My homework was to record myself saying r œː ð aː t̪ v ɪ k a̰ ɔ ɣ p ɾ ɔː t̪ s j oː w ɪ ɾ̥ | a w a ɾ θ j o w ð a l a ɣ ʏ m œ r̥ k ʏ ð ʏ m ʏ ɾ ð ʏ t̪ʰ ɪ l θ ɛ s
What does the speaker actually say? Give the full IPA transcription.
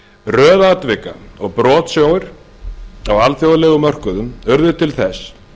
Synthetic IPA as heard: r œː ð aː t̪ v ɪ k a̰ ɔ ɣ p ɾ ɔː t̪ s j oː w ɪ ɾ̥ | a w a l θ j o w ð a l ɛ ɣ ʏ m œ r̥ k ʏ ð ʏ m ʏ ɾ ð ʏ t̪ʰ ɪ l θ ɛ s